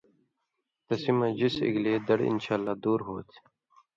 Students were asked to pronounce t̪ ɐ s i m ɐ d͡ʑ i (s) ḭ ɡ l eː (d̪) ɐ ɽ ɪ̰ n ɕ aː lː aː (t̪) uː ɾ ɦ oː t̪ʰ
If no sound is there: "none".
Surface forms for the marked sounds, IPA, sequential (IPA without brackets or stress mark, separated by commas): s, d̪, d̪